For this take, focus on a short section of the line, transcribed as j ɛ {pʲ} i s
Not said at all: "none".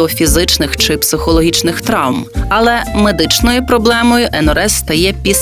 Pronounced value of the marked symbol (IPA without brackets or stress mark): pʲ